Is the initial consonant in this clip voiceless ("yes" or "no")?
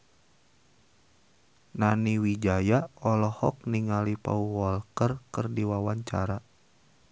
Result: no